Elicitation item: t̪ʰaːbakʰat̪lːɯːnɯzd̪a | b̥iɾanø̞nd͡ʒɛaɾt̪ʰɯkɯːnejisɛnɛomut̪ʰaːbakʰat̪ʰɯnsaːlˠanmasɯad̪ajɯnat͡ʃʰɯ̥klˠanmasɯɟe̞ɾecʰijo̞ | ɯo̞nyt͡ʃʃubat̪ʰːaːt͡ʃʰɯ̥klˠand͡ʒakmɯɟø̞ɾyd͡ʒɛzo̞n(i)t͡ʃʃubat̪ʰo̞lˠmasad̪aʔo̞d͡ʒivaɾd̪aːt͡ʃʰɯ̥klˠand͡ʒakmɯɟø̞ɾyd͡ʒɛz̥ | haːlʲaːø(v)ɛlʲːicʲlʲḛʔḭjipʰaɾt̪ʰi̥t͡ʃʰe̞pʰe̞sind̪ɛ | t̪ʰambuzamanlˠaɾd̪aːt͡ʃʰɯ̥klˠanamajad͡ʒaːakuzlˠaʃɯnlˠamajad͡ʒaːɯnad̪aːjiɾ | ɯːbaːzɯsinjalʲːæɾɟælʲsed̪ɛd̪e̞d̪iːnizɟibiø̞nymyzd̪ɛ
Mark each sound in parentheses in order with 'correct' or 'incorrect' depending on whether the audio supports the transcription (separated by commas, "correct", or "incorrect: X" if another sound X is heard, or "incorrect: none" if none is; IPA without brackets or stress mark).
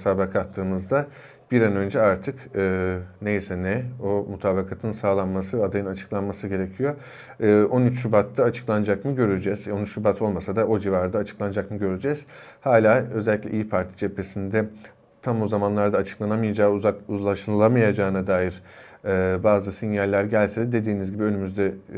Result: incorrect: y, incorrect: z